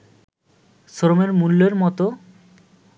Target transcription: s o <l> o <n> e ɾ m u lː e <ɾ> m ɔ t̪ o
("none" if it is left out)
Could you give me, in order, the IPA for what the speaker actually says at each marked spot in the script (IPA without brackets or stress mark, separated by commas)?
ɾ, m, ɾ